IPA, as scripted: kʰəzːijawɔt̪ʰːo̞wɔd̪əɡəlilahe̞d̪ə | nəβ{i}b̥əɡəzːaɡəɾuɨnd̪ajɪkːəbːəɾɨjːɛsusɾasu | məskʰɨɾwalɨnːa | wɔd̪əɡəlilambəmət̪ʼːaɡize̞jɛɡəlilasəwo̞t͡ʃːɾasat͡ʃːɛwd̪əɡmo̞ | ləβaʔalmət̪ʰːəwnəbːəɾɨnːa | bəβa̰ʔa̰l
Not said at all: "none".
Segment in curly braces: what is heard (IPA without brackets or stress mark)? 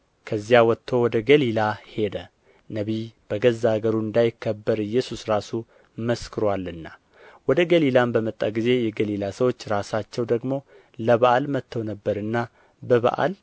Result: i